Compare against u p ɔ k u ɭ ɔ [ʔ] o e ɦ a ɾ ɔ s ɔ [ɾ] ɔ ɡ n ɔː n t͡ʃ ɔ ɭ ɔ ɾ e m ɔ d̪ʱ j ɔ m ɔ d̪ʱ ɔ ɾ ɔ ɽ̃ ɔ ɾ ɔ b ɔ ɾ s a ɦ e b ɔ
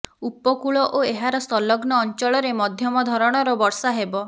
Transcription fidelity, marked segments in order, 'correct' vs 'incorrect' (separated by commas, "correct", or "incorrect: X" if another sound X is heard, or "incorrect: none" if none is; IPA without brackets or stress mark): correct, incorrect: l